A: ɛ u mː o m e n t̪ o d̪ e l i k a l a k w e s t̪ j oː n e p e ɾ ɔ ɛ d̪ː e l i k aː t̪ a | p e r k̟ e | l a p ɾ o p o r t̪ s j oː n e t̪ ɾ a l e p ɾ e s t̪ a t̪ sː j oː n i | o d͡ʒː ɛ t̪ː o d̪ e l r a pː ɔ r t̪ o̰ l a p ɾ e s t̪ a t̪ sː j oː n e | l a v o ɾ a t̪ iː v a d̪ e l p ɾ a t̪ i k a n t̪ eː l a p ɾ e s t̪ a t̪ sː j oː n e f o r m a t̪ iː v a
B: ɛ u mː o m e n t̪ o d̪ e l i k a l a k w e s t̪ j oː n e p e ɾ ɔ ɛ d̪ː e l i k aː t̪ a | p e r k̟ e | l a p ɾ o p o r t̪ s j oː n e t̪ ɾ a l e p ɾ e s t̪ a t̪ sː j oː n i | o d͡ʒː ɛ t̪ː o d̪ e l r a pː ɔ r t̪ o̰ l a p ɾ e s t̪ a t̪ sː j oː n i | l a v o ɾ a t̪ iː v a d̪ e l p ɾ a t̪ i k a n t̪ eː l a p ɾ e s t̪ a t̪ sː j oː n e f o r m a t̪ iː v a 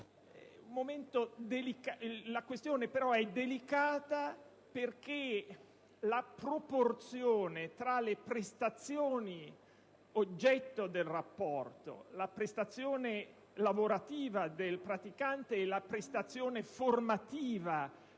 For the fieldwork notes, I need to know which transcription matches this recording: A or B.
A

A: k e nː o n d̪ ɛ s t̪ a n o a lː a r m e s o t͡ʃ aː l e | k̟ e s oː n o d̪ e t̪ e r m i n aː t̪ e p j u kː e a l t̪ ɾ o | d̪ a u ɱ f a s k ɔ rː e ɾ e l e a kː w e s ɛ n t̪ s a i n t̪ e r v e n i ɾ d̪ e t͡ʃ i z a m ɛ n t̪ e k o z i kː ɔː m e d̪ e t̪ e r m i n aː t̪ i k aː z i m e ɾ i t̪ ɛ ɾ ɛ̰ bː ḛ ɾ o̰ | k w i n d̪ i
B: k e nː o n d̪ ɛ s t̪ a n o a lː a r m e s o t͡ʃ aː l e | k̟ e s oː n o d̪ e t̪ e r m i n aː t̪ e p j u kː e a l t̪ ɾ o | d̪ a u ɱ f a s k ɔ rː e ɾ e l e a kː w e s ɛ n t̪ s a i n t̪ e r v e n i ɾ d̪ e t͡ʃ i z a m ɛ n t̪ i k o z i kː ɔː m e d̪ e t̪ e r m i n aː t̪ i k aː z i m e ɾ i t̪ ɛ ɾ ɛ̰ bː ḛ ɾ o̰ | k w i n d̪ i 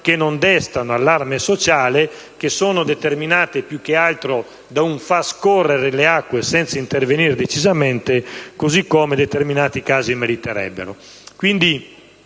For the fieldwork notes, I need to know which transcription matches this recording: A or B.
A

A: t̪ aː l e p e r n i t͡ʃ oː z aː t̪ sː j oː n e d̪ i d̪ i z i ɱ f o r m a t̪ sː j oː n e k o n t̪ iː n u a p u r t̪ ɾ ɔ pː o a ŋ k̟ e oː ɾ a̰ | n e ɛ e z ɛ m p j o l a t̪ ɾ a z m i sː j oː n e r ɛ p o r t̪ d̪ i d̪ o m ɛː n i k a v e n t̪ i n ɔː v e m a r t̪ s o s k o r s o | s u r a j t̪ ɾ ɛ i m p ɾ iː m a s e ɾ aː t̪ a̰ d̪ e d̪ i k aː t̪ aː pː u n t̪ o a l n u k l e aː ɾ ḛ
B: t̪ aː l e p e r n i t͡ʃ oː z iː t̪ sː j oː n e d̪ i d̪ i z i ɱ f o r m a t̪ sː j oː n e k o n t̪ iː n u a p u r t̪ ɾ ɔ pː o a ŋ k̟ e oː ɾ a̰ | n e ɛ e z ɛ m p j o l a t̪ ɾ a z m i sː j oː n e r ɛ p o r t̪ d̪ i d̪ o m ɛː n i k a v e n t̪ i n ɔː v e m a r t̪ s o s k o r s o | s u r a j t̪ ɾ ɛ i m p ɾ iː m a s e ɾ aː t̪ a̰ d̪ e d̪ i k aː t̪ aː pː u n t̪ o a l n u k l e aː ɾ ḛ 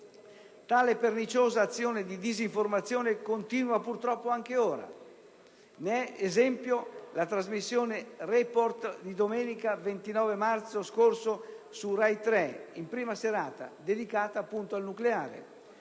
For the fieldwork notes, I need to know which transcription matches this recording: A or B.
A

